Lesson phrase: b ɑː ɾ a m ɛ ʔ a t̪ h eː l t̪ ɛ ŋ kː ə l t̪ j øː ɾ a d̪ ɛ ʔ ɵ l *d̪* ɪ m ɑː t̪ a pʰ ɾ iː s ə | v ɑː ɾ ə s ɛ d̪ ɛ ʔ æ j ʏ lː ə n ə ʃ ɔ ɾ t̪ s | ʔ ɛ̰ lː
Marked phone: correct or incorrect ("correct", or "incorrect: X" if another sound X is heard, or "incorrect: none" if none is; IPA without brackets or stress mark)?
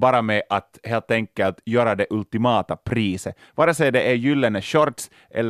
incorrect: t̪